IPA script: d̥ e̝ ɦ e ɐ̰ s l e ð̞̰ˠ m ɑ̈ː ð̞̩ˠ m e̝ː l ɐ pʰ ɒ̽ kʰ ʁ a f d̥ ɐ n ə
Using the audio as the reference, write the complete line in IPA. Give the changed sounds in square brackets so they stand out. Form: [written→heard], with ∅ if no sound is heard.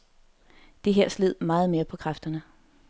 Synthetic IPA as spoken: d̥ e̝ ɦ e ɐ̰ s l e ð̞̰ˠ m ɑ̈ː ð̞̩ˠ m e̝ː [l→∅] ɐ pʰ ɒ̽ kʰ ʁ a f d̥ ɐ n ə